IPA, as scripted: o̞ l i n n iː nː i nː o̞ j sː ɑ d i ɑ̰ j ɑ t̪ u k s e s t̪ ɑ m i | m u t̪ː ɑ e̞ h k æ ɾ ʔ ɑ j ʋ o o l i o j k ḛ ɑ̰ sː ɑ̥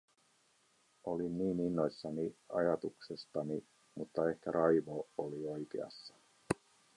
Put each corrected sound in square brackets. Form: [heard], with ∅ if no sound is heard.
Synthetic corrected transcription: o̞ l i n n iː [n] i nː o̞ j sː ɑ [n] i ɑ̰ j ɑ t̪ u k s e s t̪ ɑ [n] i | m u t̪ː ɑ e̞ h k æ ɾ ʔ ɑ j ʋ o o l i o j k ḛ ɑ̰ sː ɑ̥